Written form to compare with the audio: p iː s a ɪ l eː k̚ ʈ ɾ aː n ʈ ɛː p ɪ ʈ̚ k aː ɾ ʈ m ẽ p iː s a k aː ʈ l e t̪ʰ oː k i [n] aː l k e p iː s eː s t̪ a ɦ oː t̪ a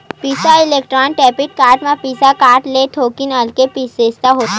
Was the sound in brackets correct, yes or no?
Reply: yes